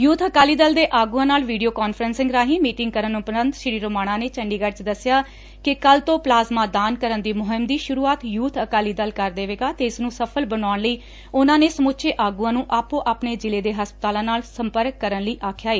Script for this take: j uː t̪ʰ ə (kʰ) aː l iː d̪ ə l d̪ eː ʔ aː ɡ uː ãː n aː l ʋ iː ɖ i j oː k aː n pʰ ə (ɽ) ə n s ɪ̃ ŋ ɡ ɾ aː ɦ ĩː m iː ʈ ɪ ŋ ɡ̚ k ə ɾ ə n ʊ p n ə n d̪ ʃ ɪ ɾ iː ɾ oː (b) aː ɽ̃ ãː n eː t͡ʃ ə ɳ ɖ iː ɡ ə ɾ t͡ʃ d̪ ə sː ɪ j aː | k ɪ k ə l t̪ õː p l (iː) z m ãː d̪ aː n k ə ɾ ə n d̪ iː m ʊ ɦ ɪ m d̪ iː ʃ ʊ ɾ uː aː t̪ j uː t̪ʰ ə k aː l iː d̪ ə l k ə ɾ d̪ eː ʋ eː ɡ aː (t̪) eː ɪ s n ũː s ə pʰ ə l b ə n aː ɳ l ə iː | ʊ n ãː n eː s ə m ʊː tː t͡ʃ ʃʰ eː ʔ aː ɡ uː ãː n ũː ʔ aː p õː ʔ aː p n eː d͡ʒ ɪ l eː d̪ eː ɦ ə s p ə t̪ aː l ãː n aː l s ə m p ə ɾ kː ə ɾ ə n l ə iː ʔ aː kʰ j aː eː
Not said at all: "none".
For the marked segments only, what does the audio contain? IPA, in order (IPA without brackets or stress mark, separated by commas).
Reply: k, ɾ, m, aː, t̪